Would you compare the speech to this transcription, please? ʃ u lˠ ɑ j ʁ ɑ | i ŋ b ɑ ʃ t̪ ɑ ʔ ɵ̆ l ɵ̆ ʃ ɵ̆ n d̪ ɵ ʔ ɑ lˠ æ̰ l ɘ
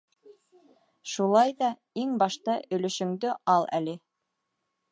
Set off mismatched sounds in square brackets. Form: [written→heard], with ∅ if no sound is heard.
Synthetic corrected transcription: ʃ u lˠ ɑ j [ʁ→ð] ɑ | i ŋ b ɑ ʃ t̪ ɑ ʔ ɵ̆ l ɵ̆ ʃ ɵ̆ [n→ŋ] d̪ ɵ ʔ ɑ lˠ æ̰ l ɘ

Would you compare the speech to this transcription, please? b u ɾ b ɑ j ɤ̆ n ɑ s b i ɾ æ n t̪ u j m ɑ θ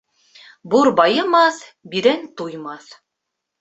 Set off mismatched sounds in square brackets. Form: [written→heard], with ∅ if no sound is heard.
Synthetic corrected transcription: b u ɾ b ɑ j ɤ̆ [n→m] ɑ [s→θ] b i ɾ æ n t̪ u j m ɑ θ

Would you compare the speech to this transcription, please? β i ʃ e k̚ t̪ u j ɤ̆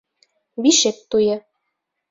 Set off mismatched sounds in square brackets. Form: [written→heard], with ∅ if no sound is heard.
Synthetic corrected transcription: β i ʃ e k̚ t̪ u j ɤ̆

